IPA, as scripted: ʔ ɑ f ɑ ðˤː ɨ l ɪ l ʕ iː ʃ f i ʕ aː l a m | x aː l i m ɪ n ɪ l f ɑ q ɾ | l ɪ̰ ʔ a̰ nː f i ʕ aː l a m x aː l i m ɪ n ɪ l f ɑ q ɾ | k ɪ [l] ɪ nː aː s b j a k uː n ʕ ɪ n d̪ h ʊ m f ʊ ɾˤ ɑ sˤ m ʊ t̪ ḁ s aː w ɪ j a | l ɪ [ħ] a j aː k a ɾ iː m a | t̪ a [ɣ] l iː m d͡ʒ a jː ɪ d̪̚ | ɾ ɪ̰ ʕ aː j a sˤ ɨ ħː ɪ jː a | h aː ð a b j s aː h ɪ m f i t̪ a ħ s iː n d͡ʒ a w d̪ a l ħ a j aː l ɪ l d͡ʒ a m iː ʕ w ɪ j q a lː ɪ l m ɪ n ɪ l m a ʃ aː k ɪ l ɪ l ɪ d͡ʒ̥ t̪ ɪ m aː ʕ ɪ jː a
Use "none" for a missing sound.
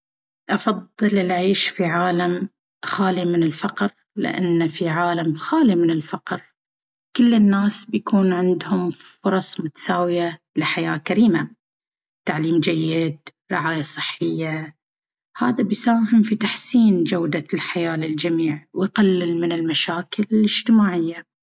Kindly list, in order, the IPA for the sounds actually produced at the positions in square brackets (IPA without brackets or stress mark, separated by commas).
lː, ħ, ʕ